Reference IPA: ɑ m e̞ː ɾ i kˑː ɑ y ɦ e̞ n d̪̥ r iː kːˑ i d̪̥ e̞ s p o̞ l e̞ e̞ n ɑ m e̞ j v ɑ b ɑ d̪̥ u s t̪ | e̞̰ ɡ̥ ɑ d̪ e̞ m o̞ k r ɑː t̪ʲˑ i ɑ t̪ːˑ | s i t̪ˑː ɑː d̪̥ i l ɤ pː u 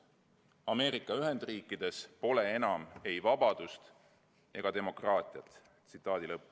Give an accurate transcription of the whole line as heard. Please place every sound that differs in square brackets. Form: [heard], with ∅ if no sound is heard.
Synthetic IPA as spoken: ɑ m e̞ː ɾ i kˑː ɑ y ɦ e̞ n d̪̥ r iː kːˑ i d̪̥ e̞ s p o̞ l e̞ e̞ n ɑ m e̞ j v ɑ b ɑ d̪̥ u s t̪ | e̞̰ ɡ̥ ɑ d̪ e̞ m o̞ k r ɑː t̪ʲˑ i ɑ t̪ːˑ | s i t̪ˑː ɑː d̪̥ i l ɤ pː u